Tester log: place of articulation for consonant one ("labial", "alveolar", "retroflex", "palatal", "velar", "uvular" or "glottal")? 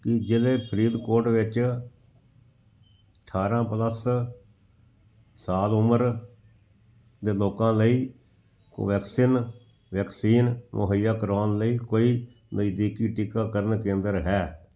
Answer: velar